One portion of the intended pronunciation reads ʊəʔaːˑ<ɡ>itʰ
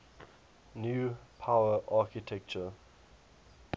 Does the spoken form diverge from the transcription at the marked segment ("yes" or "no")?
yes